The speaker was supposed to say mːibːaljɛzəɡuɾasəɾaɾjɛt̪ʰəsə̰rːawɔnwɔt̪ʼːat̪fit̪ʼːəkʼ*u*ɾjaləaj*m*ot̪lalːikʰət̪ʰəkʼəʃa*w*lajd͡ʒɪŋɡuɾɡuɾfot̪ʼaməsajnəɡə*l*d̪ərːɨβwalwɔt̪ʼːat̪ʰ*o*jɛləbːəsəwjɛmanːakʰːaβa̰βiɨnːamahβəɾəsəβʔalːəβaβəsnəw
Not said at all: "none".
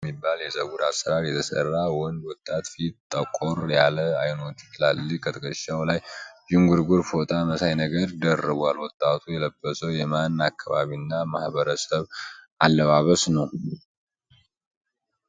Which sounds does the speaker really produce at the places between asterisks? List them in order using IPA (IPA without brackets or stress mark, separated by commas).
o, n, w, ɾ, u